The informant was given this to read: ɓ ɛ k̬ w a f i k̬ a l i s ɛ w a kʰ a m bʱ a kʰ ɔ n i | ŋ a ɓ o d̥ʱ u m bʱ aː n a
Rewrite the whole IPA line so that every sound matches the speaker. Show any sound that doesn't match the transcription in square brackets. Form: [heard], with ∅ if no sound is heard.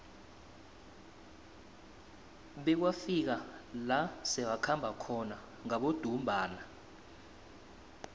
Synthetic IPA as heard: ɓ ɛ k̬ w a f i k̬ a l [a] s ɛ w a kʰ a m bʱ a kʰ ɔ n [a] | ŋ a ɓ o d̥ʱ u m bʱ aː n a